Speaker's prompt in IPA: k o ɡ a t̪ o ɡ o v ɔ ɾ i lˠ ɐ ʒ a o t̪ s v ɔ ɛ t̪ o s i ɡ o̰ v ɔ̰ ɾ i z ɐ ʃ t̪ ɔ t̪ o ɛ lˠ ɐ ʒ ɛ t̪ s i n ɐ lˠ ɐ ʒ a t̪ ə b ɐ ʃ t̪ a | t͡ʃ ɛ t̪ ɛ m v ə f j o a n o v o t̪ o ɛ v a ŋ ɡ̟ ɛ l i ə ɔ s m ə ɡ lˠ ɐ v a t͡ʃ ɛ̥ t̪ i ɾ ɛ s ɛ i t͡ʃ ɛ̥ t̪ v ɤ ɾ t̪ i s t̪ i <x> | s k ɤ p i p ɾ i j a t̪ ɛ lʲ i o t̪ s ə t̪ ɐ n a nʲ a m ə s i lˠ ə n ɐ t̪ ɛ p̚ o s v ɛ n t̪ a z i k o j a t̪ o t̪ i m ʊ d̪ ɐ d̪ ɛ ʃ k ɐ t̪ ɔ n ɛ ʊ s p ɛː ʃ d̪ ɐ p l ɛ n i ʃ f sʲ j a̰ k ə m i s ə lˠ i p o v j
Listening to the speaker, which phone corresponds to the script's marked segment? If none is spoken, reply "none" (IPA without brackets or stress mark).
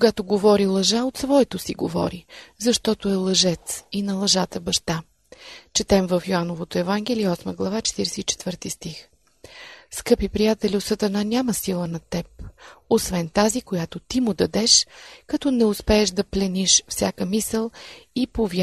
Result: x